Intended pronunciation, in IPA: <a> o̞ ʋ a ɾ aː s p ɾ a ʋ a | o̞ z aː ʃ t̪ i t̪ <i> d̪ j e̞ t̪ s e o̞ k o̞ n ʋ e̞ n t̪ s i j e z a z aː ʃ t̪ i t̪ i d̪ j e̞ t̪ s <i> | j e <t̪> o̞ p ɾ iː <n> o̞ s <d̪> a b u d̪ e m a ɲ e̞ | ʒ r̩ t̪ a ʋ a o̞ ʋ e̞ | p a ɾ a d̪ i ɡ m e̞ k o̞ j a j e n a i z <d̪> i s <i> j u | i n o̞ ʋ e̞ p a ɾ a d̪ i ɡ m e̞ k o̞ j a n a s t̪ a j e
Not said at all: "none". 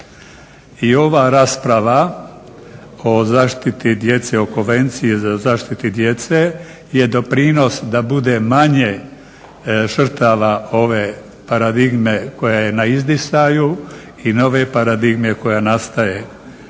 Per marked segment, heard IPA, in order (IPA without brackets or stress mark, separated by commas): i, i, e, d̪, n, d̪, d̪, a